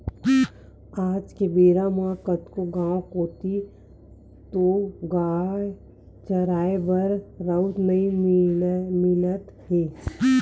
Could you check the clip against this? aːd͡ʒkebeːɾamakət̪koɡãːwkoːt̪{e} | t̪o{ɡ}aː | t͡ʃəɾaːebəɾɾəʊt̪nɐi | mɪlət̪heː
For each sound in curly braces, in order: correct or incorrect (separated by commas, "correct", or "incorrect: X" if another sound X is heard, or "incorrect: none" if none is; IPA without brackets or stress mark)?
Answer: incorrect: i, correct